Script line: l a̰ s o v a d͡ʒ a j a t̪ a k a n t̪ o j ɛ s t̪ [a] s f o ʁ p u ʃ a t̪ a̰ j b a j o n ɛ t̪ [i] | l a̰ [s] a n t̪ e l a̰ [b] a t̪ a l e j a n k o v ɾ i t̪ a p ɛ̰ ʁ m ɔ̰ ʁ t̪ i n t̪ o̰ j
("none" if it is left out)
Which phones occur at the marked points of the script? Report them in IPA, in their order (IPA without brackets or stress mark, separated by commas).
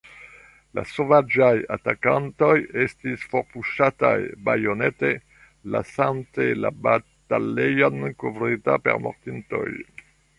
i, e, s, b